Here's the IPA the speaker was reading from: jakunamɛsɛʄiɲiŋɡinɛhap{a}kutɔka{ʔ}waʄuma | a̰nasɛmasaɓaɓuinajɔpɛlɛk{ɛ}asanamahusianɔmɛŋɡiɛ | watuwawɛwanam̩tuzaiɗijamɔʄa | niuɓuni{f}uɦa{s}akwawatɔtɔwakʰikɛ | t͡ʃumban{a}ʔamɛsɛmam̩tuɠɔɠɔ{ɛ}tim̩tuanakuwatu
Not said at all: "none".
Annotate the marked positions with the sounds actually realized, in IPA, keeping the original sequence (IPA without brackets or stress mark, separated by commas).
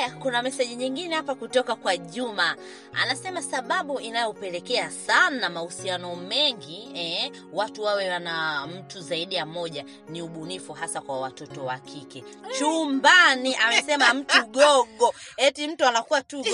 a, k, ɛ, f, s, i, ɛ